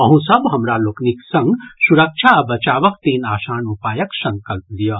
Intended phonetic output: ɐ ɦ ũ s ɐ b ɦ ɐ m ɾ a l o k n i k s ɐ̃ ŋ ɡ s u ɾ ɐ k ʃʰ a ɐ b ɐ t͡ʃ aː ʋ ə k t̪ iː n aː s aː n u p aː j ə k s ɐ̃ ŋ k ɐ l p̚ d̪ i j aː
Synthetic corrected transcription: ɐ ɦ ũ s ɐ b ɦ ɐ m ɾ a l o k n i k s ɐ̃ ŋ ɡ s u ɾ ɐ k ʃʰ a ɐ b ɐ t͡ʃ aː ʋ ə k t̪ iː n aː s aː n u p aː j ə k s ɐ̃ ŋ k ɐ l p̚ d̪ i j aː